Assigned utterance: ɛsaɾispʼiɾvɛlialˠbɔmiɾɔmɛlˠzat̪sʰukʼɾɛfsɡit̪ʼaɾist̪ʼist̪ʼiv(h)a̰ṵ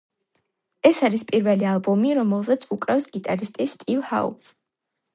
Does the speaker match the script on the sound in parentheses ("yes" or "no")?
yes